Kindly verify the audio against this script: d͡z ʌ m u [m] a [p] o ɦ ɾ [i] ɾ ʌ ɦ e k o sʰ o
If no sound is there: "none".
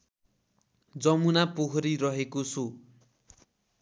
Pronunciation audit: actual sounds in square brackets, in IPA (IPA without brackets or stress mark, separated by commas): n, p, i